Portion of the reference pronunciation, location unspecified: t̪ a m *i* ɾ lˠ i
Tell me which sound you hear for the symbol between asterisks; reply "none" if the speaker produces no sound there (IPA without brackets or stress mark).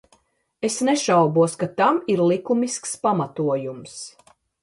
i